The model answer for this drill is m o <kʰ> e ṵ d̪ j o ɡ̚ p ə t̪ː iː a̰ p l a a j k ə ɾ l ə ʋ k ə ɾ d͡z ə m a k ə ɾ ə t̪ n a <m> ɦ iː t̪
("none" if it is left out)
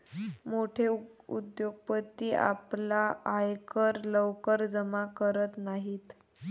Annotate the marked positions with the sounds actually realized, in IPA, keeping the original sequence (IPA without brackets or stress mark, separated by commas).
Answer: ʈʰ, none